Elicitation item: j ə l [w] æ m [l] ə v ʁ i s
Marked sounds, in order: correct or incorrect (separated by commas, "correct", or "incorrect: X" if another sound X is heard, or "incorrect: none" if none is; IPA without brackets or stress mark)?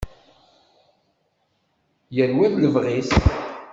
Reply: correct, correct